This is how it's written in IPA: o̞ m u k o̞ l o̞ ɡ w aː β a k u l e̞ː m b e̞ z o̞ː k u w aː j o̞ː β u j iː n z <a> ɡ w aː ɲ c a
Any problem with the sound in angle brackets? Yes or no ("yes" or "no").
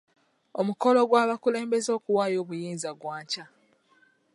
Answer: no